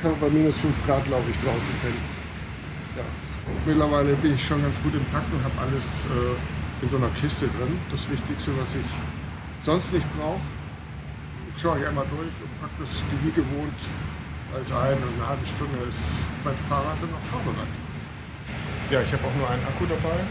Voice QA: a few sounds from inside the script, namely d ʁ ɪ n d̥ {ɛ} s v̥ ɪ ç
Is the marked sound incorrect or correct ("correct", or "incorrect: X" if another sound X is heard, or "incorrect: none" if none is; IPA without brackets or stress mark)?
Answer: incorrect: a